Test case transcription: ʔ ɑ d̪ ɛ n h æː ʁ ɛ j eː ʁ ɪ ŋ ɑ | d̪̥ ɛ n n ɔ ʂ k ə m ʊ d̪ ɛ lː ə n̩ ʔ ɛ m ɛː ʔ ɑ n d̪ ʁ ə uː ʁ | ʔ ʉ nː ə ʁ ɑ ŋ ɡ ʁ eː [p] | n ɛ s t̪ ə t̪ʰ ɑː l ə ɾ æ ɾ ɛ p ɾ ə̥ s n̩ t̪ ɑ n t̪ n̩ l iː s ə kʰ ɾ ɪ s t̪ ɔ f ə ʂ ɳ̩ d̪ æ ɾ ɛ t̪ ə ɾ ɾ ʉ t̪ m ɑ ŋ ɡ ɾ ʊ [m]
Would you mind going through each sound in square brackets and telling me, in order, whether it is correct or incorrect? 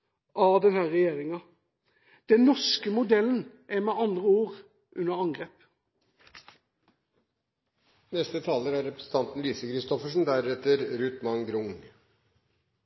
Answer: correct, incorrect: ŋ

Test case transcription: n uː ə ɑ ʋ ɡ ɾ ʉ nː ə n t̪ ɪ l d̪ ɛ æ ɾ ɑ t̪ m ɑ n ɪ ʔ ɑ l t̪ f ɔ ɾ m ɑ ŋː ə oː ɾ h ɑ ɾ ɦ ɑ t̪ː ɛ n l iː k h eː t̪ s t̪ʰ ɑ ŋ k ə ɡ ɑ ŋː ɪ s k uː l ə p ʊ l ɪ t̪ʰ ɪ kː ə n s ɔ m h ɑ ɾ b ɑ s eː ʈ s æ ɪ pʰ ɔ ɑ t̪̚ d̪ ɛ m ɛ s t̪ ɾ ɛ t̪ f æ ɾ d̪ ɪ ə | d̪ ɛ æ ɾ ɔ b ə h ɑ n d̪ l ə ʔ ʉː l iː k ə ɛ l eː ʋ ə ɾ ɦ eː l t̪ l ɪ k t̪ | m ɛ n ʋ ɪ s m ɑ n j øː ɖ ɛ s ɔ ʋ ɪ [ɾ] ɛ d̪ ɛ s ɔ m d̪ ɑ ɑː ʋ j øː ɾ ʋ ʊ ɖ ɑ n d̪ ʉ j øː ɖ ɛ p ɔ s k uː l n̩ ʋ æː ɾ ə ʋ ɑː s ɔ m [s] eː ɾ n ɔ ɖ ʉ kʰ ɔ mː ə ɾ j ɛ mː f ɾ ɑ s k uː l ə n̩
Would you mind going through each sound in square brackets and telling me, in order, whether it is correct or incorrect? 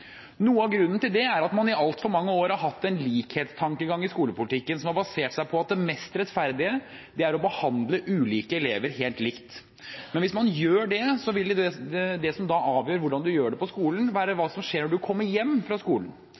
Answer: incorrect: l, incorrect: ʂ

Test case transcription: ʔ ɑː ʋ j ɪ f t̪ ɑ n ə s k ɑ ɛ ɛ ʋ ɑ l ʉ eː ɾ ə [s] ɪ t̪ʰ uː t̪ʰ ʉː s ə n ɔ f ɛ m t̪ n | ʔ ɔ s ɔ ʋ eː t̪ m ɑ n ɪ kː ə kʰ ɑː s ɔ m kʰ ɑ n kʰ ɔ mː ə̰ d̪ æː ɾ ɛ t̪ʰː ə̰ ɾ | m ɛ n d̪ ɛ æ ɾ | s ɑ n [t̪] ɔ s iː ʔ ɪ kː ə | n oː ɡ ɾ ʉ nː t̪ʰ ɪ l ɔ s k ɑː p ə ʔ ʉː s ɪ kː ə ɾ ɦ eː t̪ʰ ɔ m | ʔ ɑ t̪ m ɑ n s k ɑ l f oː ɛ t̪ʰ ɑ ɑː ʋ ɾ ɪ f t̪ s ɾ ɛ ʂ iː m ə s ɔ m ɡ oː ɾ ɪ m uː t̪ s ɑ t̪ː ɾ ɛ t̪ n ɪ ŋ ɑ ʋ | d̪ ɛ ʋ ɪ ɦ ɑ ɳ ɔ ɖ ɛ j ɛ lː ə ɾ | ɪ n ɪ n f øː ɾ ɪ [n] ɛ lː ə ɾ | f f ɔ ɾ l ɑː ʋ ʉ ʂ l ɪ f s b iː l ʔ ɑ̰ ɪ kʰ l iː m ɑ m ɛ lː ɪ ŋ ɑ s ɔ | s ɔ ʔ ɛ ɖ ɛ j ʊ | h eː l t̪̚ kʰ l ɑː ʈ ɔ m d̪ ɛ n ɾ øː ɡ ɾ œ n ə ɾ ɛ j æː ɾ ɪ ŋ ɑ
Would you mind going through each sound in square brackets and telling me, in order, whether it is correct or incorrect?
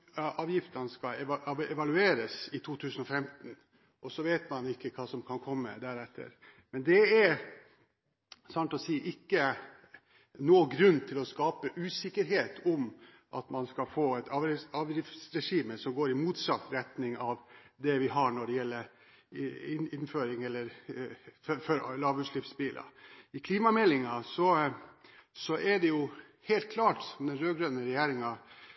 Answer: correct, correct, incorrect: ŋ

